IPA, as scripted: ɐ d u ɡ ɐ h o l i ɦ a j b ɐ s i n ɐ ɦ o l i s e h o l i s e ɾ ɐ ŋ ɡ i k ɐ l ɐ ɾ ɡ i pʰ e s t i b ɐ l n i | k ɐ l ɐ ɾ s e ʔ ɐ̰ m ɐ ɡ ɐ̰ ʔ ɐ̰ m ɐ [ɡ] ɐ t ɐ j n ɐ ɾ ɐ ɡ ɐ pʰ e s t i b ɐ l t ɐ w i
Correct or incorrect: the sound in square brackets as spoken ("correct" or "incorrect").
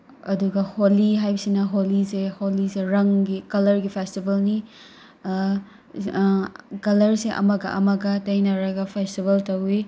correct